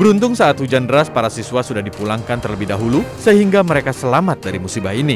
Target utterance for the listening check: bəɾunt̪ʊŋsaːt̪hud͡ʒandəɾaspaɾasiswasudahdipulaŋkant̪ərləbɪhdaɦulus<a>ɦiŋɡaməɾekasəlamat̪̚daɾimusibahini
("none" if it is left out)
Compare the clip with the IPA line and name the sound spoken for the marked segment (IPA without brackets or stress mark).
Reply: ə